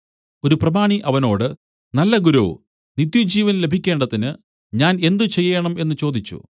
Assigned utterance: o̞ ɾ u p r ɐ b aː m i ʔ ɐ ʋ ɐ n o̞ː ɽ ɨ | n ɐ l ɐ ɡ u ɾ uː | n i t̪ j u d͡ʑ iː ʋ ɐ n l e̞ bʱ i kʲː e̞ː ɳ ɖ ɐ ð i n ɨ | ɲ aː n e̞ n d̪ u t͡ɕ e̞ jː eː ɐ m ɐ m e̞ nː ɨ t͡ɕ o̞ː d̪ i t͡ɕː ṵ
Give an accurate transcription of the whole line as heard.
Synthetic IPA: o̞ ɾ u p r ɐ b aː ɳ i ʔ ɐ ʋ ɐ n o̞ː ɽ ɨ | n ɐ lː ɐ ɡ u ɾ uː | n i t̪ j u d͡ʑ iː ʋ ɐ n l e̞ bʱ i kʲː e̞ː ɳ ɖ ɐ ð i n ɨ | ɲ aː n e̞ n d̪ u t͡ɕ e̞ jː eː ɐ ɳ ɐ m e̞ nː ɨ t͡ɕ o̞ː d̪ i t͡ɕː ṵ